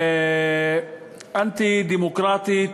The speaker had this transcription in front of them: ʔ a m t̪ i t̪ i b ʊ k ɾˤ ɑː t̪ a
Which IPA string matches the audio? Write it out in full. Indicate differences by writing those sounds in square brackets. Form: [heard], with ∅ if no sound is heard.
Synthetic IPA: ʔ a [n] t̪ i [d̪] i [m] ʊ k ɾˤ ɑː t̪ [i]